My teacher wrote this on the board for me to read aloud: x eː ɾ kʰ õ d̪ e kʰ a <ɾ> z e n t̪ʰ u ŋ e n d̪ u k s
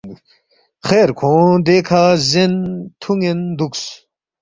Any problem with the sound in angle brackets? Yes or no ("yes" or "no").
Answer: yes